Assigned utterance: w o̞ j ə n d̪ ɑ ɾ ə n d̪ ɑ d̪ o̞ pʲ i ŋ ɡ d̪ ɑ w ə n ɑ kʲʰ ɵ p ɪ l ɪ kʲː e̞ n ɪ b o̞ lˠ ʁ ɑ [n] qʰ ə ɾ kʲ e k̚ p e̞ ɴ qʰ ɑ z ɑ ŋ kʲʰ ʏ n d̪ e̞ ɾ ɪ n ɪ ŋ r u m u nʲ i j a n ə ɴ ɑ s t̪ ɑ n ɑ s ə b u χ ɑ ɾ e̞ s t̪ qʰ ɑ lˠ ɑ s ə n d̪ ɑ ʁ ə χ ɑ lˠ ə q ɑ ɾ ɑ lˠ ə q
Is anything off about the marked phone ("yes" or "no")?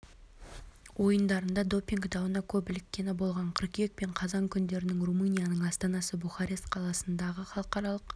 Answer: yes